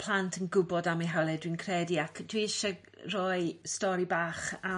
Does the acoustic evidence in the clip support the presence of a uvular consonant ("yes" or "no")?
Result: yes